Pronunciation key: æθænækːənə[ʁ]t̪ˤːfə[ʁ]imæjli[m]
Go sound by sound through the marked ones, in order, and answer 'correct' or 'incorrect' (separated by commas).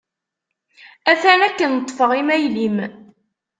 incorrect, correct, correct